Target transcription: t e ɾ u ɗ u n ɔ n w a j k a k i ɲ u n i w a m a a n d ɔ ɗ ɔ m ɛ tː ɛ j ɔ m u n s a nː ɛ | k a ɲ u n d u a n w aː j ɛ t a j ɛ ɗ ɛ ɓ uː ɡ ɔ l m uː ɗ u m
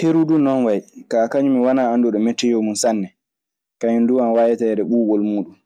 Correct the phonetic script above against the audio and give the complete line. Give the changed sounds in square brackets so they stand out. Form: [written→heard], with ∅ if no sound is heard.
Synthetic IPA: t e ɾ u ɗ u n ɔ n w a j k a k [i→a] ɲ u [n→m] i w a [m→n] a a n d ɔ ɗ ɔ m ɛ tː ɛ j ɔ m u n s a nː ɛ | k a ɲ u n d u a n w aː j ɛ t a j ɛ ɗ ɛ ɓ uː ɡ ɔ l m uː ɗ u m